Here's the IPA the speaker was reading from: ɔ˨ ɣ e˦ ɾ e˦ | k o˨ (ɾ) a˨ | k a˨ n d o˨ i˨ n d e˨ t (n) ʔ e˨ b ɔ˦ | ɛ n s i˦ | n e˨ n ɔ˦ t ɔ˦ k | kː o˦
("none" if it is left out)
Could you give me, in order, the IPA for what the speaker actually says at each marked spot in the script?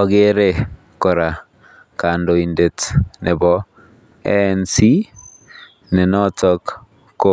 ɾ, n

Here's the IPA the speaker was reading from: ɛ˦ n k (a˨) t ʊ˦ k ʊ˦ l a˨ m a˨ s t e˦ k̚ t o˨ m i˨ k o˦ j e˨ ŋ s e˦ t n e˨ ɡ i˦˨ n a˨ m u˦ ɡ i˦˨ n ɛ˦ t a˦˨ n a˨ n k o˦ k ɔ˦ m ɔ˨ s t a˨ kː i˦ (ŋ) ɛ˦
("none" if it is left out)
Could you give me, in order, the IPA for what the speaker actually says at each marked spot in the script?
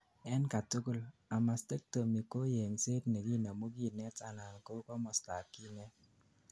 a˨, n

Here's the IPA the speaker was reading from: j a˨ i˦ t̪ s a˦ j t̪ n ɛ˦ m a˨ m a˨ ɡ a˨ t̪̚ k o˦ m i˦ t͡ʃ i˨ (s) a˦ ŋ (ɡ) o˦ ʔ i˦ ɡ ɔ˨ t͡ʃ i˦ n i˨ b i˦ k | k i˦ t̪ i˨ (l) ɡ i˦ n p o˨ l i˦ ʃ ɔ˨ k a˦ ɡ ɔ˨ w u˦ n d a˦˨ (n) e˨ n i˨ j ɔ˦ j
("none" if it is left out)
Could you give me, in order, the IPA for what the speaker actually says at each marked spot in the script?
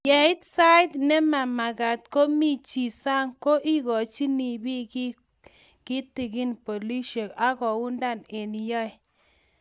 s, k, none, n

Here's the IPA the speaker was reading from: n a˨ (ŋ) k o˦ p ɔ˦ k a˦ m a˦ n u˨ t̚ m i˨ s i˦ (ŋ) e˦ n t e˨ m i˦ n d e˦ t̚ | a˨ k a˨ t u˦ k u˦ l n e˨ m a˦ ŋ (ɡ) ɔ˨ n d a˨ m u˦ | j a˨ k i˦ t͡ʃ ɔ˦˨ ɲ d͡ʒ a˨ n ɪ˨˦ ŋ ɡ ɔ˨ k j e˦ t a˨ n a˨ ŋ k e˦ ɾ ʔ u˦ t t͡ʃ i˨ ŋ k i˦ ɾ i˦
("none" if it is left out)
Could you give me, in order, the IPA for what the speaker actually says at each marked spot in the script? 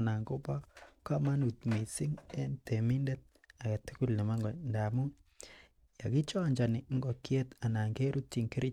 ŋ, ŋ, ɡ

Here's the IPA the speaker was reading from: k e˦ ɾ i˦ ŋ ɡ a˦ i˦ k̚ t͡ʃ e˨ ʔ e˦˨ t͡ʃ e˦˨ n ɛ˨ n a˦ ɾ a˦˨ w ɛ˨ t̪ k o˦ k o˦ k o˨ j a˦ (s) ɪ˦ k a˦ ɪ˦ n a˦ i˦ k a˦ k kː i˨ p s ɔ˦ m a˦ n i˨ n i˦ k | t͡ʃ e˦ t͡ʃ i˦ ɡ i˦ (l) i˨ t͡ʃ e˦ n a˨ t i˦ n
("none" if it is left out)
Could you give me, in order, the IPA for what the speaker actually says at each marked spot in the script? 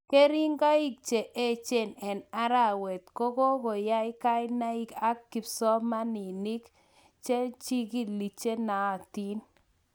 none, l

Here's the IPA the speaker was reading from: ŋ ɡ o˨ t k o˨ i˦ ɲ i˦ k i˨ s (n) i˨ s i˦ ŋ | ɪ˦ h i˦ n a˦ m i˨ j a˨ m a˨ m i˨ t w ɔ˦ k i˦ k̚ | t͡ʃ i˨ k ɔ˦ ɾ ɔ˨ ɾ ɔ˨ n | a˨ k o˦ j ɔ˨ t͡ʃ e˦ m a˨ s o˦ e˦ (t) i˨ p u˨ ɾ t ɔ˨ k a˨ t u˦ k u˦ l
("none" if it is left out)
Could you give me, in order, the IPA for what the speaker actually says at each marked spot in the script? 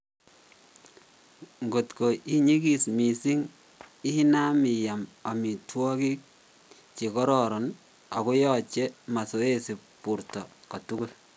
m, s

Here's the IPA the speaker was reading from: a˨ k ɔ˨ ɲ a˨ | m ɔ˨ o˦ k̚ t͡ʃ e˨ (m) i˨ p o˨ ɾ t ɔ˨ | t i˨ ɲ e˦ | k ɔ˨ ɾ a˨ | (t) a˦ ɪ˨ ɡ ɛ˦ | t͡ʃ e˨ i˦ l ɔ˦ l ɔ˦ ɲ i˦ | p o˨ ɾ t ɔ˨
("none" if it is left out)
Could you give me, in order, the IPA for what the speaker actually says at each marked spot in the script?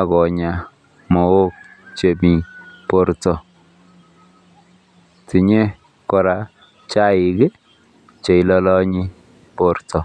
m, t͡ʃ

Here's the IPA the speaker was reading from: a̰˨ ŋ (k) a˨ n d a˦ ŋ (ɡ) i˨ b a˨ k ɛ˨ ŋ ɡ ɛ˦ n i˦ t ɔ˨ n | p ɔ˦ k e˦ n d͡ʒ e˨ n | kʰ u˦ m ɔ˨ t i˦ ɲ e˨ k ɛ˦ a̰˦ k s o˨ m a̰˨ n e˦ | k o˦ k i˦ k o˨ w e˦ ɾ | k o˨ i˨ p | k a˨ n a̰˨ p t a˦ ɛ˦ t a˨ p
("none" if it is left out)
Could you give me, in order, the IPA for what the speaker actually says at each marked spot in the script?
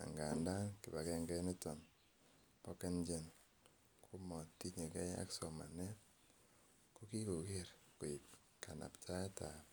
ɡ, k

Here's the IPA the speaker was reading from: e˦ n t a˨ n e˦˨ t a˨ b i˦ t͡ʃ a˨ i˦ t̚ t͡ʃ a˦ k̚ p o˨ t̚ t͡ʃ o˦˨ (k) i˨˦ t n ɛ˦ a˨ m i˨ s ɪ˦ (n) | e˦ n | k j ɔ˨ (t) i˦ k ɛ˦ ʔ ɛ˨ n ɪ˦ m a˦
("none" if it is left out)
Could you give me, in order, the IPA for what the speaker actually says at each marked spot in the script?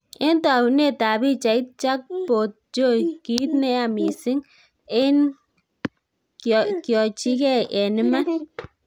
k, ŋ, t͡ʃ

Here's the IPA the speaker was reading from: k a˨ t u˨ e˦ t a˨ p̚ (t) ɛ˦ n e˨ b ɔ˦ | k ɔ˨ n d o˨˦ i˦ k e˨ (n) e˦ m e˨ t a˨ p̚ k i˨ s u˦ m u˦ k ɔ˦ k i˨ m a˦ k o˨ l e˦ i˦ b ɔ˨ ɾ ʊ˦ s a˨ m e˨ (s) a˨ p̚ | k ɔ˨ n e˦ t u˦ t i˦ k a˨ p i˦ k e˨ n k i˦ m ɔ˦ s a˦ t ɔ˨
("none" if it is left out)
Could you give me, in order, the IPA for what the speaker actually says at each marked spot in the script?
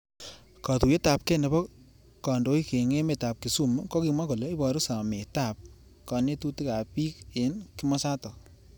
k, ŋ, t

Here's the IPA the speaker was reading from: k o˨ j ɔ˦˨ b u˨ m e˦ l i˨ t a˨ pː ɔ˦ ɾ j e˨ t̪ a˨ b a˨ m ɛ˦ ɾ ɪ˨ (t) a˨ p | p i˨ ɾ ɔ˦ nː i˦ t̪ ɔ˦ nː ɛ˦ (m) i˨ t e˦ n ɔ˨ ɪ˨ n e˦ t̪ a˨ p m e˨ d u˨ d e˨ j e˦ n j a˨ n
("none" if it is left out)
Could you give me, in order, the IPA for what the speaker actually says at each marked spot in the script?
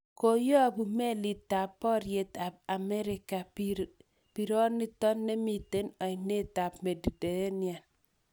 k, m

